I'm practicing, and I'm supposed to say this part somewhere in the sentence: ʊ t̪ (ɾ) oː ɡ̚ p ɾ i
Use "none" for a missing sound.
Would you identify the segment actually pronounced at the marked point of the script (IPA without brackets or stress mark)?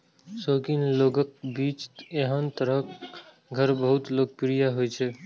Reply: l